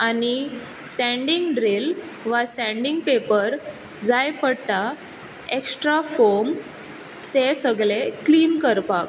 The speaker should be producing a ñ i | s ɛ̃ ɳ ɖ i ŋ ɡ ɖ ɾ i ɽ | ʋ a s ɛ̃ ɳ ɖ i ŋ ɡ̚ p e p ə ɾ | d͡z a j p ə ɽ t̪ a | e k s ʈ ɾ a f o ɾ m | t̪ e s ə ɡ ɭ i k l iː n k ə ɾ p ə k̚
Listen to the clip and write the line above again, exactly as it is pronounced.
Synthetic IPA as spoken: a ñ i | s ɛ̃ ɳ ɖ i ŋ ɡ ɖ ɾ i l | ʋ a s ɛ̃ ɳ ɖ i ŋ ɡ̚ p e p ə ɾ | d͡z a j p ə ɽ t̪ a | e k s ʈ ɾ a f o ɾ m | t̪ e s ə ɡ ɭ e k l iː n k ə ɾ p a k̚